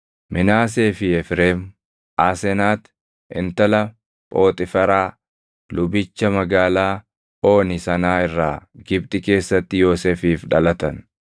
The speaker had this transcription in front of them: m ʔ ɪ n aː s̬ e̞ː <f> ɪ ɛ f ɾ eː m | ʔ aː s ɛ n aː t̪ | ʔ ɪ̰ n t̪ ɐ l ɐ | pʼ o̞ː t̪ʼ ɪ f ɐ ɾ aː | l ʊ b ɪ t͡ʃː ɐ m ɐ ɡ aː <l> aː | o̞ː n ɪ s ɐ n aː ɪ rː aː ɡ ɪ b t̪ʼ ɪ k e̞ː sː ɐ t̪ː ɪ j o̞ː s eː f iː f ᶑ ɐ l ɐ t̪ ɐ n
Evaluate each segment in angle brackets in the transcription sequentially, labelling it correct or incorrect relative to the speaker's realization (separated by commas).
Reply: correct, correct